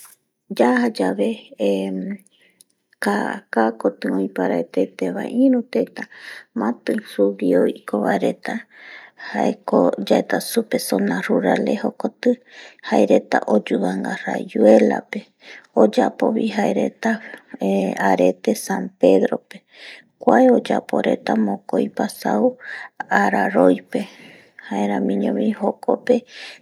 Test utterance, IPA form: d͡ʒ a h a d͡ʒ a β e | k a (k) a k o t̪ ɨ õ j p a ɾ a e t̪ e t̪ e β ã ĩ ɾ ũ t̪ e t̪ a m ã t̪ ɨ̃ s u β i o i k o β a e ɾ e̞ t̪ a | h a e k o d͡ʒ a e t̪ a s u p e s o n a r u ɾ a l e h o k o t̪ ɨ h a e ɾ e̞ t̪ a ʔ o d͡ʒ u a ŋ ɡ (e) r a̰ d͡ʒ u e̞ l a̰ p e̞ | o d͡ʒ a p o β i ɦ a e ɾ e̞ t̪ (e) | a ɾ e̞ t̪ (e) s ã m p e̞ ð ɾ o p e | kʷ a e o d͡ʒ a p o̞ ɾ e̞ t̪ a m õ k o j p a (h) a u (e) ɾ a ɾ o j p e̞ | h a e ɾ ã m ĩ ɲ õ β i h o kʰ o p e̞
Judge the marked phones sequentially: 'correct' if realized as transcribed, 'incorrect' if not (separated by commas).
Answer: correct, incorrect, incorrect, correct, incorrect, incorrect